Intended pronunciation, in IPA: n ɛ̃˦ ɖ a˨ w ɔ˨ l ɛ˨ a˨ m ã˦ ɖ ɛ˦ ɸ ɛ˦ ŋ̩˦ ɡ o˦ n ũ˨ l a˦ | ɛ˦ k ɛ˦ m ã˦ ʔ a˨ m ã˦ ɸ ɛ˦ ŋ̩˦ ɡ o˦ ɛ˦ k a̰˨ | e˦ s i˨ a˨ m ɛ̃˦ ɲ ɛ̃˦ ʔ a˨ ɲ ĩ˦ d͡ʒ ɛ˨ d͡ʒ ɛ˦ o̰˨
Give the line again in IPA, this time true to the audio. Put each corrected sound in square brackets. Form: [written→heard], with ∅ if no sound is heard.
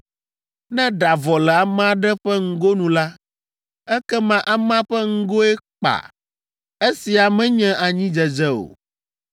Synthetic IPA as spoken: n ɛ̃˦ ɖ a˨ [w→v] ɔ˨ l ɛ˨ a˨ m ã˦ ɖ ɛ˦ ɸ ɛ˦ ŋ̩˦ ɡ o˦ n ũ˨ l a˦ | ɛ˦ k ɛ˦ m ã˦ ʔ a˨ m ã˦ ɸ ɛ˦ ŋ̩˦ ɡ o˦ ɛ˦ [k→k͡p] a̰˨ | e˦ s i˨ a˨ m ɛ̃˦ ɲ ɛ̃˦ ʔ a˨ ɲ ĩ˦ d͡ʒ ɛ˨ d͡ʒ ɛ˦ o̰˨